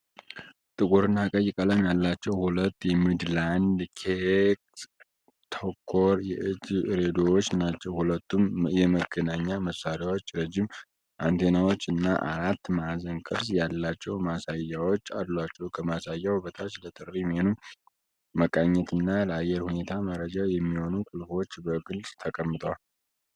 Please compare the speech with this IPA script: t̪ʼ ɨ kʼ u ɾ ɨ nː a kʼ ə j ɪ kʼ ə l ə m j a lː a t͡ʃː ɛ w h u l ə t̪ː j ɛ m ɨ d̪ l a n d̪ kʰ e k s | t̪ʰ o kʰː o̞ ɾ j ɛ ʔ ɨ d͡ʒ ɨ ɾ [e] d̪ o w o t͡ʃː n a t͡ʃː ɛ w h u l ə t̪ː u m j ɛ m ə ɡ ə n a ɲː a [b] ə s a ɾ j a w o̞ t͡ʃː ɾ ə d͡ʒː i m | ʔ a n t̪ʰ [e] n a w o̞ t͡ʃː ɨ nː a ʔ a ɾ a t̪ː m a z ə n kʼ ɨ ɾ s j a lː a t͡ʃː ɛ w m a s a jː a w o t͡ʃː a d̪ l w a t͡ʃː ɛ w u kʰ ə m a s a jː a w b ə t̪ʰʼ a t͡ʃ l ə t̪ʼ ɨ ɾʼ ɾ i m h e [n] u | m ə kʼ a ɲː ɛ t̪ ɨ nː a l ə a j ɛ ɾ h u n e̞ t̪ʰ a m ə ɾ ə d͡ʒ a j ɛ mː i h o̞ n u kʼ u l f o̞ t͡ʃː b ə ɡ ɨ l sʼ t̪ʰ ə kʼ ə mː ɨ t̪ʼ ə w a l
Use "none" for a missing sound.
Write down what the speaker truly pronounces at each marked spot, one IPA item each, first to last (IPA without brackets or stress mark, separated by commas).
e, m, e, n